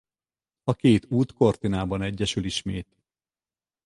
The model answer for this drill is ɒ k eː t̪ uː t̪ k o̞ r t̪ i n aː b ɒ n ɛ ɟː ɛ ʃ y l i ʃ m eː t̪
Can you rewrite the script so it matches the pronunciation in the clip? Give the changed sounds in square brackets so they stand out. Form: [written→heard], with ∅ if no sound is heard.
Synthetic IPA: ɒ k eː t̪ uː t̪ k o̞ r t̪ i n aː b ɒ n ɛ ɟː ɛ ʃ y l i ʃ m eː t̪